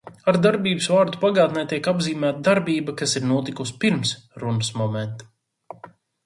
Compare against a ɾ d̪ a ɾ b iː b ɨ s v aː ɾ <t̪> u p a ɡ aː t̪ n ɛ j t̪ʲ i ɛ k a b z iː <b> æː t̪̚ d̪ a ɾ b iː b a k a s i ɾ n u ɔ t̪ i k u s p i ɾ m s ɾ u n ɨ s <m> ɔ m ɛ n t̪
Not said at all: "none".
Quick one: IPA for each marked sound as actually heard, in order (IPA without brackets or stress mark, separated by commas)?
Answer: d̪, m, m